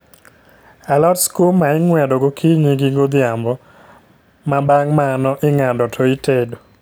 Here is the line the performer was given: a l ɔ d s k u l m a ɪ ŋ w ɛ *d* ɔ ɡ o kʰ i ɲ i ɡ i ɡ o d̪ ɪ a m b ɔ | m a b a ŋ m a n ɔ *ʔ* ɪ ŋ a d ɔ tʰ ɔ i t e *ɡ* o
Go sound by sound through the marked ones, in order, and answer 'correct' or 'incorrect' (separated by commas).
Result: correct, correct, incorrect